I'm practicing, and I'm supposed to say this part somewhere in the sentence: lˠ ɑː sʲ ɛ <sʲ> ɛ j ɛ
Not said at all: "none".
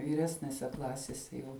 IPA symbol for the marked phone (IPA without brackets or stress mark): sʲ